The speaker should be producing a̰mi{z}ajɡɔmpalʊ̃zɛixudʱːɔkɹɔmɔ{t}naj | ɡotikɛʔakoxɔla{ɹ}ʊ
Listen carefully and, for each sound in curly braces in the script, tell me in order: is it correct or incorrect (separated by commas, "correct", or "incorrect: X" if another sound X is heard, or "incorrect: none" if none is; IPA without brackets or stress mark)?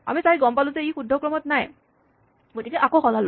incorrect: s, correct, incorrect: l